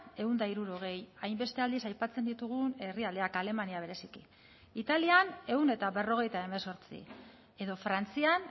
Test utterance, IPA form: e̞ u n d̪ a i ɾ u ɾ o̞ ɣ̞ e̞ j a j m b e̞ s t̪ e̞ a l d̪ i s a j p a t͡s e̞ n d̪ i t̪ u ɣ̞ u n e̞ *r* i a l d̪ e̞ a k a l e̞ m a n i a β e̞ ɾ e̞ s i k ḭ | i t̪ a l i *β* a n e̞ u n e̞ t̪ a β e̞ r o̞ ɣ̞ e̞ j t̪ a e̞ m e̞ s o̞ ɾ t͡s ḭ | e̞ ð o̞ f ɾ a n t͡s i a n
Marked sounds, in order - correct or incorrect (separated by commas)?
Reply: correct, incorrect